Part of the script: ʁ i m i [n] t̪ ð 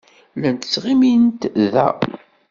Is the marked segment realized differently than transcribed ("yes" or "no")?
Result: no